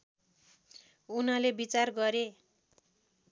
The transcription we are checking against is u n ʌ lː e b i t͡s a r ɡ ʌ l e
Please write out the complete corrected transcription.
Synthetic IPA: u n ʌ l e b i t͡s a r ɡ ʌ ɾ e